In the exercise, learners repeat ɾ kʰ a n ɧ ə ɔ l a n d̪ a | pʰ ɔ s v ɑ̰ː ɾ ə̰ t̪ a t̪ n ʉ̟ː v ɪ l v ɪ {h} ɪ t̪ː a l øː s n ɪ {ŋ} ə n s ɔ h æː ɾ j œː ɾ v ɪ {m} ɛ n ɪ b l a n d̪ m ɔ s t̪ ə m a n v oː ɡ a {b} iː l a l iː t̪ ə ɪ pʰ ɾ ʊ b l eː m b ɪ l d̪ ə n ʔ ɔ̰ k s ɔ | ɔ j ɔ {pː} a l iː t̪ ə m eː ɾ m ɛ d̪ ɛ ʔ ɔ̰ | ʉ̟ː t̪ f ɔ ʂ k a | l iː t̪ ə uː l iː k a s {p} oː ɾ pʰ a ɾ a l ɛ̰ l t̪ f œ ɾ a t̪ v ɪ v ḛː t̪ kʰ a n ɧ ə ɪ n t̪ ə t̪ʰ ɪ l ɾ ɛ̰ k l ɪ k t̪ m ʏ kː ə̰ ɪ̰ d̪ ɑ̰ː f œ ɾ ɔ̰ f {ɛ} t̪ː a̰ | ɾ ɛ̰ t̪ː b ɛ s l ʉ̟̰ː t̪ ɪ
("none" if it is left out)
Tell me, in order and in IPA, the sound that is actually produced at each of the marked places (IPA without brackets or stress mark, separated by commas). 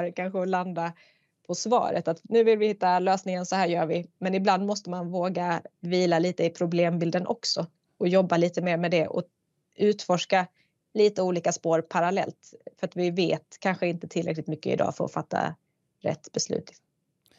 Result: h, ŋ, m, v, bː, p, a